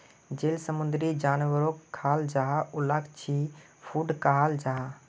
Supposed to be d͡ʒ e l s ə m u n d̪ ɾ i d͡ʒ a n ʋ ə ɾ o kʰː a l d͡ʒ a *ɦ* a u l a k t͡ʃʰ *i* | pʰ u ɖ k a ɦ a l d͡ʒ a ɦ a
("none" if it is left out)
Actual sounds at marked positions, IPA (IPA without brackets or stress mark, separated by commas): ɦ, i